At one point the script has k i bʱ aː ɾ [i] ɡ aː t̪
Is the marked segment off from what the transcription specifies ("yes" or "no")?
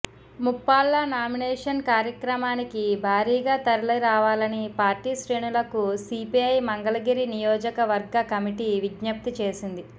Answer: yes